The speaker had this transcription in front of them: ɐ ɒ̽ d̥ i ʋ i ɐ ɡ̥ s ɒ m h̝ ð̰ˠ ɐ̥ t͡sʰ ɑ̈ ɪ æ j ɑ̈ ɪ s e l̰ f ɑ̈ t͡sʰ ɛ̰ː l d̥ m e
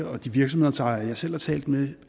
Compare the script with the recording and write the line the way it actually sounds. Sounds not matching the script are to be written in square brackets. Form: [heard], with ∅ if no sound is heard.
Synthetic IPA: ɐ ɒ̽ d̥ i ʋ i ɐ ɡ̥ s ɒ m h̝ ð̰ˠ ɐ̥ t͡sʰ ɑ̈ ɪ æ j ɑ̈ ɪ s e l̰ [h] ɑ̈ t͡sʰ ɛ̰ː l d̥ m e